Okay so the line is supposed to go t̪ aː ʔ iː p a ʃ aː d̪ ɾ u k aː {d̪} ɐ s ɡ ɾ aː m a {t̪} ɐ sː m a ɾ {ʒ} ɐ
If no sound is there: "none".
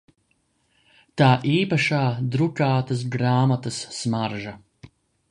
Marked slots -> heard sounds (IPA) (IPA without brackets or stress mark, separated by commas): t̪, t̪, ʒ